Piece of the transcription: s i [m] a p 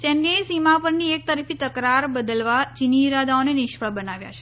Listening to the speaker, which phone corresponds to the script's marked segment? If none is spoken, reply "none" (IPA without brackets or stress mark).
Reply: m